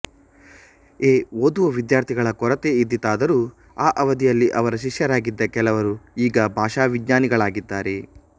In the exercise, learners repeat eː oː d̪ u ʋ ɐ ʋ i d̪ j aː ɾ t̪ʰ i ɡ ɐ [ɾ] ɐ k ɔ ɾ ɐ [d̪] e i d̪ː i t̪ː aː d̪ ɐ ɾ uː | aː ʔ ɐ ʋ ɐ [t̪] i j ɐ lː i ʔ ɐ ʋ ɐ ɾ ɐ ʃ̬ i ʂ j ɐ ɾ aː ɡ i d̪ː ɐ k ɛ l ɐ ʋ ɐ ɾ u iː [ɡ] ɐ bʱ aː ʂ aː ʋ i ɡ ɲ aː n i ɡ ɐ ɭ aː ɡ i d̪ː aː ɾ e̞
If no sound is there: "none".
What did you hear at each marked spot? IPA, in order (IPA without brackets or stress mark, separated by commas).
ɭ, t̪, d̪, ɡ